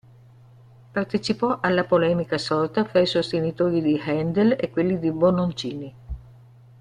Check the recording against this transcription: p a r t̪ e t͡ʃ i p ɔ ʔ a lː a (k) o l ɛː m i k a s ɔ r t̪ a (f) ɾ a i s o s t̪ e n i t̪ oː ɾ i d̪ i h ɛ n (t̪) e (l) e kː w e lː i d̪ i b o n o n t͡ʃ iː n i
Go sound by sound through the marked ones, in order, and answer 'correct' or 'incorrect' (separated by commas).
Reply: incorrect, correct, incorrect, correct